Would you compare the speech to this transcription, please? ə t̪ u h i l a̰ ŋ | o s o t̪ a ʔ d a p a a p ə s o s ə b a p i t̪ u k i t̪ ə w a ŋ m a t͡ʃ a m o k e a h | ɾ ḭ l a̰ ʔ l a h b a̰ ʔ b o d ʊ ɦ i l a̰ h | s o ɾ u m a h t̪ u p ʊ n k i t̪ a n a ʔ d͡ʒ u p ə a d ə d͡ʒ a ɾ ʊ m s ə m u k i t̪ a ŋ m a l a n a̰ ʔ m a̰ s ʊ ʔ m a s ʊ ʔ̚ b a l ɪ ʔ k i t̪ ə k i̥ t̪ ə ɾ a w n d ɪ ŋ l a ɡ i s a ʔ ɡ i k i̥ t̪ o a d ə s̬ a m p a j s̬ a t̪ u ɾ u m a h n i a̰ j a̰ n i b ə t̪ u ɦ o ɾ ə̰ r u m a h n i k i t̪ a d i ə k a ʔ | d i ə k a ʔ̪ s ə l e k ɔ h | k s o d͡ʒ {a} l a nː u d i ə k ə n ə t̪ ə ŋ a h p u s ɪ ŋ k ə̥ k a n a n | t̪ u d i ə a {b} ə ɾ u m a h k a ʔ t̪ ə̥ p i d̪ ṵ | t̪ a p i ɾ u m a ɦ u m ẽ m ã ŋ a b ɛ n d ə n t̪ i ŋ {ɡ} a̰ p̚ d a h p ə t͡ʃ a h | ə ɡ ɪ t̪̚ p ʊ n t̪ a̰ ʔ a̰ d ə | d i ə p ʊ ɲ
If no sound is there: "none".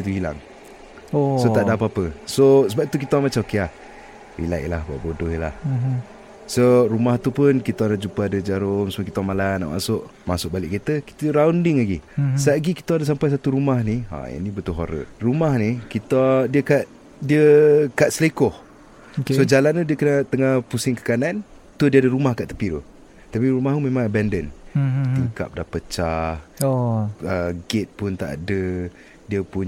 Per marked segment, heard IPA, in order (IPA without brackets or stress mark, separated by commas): a, d, k